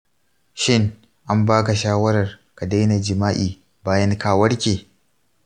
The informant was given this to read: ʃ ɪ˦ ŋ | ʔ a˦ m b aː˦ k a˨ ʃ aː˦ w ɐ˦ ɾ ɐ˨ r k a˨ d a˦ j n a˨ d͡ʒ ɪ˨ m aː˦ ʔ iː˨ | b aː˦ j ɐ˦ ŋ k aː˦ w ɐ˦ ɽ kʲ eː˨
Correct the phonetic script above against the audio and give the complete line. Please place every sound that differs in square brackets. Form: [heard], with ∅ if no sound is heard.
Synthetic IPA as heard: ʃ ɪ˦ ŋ | ʔ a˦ m b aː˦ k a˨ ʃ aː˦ w ɐ˦ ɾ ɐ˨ r k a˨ d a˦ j n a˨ d͡ʒ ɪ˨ m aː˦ ʔ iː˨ | b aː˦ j ɐ˦ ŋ k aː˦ w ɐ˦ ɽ kʲ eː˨